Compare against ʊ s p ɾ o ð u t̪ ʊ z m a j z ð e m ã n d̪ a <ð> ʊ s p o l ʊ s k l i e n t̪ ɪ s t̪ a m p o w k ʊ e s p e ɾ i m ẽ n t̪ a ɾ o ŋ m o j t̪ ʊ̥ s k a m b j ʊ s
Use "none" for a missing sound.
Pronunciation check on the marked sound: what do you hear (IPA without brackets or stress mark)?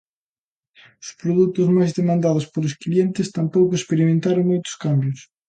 ð